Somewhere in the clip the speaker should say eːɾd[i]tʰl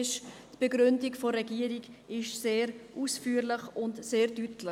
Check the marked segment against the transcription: incorrect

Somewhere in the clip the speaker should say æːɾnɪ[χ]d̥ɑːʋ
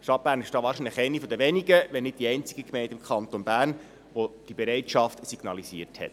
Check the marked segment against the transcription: incorrect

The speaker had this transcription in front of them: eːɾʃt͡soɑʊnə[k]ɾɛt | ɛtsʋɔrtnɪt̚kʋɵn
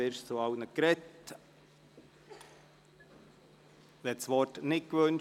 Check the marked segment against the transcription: correct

